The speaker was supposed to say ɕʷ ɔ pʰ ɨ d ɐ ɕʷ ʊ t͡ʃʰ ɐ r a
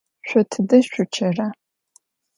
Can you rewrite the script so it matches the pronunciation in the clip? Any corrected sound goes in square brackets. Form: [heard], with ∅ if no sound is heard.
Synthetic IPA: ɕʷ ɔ [tʰ] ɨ d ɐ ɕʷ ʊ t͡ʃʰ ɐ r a